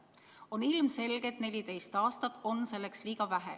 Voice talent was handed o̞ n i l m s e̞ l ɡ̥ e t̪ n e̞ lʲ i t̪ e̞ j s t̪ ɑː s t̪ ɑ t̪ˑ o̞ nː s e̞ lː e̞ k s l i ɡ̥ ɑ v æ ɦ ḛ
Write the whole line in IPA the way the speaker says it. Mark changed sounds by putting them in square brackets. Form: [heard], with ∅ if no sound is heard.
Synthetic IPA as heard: o̞ n i l m s e̞ l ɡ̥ e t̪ n e̞ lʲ i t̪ e̞ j s t̪ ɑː s t̪ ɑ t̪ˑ o̞ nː s e̞ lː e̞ k s l [iː] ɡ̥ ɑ v æ ɦ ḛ